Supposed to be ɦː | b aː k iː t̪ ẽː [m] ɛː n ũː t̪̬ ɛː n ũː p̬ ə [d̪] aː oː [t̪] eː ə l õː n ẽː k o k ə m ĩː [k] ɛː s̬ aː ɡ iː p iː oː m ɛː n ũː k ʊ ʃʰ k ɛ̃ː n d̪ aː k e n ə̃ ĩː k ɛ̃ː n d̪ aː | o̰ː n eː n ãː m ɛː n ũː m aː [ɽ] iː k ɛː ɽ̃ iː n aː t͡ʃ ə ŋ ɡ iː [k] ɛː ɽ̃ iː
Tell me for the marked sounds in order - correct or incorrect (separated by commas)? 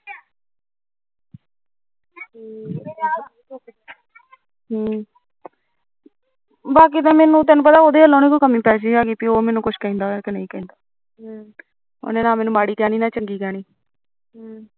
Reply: correct, incorrect, incorrect, incorrect, correct, correct